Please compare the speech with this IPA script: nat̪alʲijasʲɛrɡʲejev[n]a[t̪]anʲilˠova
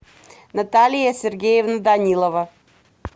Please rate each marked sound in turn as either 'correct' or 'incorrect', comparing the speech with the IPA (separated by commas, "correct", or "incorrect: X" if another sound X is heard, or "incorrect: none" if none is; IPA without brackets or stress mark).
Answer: correct, incorrect: d̪